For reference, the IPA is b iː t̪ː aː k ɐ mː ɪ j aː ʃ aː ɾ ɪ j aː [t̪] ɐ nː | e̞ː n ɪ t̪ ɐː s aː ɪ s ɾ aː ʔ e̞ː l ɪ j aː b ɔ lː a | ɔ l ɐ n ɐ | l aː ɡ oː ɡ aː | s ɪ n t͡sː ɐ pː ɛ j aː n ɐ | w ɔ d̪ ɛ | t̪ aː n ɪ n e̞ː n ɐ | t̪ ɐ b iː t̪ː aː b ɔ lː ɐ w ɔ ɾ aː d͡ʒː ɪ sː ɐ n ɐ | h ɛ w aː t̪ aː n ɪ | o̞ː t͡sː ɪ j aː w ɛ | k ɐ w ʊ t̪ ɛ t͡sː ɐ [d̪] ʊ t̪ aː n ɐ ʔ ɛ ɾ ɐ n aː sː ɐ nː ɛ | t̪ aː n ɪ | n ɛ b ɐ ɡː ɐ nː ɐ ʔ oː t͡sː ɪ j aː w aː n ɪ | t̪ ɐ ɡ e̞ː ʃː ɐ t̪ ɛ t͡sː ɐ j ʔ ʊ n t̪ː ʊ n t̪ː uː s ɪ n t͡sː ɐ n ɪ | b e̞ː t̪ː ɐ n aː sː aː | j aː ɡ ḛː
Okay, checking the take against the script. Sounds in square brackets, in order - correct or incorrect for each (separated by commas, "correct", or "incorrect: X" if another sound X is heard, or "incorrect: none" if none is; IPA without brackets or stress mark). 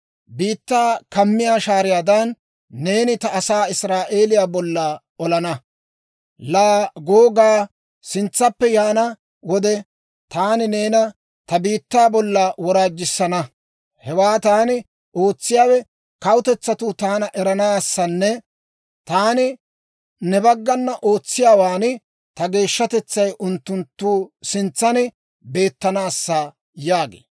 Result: incorrect: d̪, incorrect: t̪